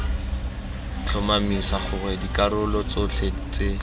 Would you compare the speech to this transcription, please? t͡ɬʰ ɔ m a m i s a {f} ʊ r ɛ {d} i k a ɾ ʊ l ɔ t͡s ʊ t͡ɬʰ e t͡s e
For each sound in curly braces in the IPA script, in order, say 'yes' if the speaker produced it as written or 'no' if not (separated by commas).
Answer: no, yes